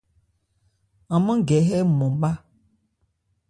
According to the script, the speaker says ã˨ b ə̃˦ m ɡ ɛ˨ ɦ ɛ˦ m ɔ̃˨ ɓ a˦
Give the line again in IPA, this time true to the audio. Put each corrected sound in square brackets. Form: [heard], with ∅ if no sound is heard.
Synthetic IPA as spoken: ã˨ [m] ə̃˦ [∅] ɡ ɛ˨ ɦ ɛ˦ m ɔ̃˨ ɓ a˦